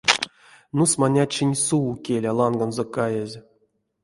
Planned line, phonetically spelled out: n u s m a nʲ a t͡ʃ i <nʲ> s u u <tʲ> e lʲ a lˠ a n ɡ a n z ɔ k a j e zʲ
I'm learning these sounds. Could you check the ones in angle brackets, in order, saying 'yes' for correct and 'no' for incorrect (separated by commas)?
yes, no